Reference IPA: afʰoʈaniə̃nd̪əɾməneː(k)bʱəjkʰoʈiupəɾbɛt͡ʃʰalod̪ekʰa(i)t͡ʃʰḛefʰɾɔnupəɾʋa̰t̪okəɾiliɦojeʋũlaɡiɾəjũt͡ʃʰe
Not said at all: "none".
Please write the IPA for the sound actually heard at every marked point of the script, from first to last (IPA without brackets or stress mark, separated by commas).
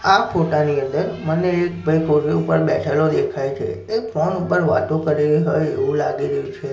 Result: k, j